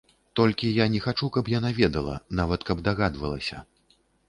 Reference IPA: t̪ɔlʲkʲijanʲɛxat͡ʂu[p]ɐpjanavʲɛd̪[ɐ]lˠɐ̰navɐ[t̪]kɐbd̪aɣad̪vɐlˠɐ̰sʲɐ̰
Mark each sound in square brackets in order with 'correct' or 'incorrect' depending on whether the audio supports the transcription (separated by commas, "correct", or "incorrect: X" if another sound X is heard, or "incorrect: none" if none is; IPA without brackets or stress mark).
incorrect: k, correct, correct